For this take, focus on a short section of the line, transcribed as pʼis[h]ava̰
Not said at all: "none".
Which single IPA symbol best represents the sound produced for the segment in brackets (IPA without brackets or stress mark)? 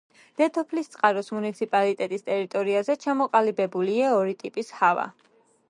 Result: h